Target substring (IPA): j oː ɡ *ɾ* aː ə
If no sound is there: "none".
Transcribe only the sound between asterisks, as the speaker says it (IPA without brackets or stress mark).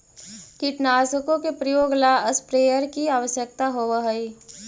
l